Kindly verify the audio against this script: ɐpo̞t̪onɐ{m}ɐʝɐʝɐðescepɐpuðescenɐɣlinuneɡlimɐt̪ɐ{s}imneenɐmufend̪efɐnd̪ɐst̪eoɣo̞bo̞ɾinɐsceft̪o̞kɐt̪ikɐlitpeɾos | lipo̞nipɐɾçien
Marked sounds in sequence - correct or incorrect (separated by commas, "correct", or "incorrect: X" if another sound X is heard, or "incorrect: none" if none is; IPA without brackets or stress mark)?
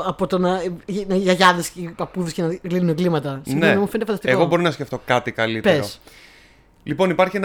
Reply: incorrect: n, correct